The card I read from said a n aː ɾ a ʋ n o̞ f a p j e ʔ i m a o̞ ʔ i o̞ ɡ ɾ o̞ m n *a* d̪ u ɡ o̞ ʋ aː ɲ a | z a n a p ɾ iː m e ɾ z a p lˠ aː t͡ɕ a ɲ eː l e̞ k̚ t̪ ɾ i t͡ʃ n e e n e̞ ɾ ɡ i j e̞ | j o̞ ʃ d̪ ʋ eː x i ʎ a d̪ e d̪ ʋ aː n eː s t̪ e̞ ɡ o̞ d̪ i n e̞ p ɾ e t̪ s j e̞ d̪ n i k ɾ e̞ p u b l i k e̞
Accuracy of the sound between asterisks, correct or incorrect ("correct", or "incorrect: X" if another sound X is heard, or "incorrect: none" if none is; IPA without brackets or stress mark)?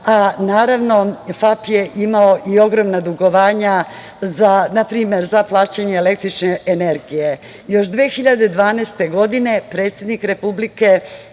correct